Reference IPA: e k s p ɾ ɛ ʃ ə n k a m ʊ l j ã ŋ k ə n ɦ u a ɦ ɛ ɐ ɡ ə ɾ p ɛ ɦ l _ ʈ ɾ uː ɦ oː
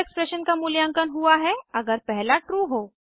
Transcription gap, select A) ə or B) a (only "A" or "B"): B